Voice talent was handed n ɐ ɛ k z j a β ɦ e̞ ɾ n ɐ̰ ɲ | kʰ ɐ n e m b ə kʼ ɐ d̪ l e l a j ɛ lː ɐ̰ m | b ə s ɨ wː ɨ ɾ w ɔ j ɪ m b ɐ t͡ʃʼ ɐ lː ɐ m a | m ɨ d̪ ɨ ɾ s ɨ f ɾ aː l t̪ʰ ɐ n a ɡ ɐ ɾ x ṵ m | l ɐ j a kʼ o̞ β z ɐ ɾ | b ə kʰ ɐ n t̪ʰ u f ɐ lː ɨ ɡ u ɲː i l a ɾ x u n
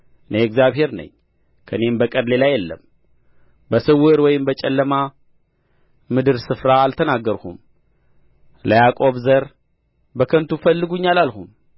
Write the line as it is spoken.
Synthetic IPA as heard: n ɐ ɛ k z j a β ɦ e̞ ɾ n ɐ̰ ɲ | kʰ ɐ n e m b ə kʼ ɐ d̪ l e l a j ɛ lː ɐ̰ m | b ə s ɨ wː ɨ ɾ w ɔ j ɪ m b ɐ t͡ʃʼ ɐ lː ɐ m a | m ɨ d̪ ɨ ɾ s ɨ f ɾ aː l t̪ʰ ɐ n a ɡ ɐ ɾ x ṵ m | l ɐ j a kʼ o̞ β z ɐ ɾ | b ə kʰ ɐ n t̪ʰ u f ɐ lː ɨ ɡ u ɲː a l a l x u m